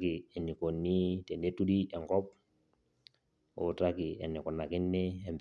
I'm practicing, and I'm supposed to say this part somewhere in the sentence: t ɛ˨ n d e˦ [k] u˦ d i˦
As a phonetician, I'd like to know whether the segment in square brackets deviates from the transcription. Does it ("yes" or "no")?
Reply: yes